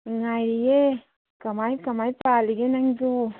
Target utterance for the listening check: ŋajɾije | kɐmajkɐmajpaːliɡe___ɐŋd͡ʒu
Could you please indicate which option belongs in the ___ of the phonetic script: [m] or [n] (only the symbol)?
n